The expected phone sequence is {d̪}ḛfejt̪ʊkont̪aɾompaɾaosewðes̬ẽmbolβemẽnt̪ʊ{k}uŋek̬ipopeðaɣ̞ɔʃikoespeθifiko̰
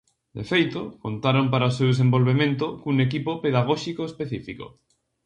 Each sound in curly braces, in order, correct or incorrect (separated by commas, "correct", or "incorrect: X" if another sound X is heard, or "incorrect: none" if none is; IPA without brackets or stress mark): correct, correct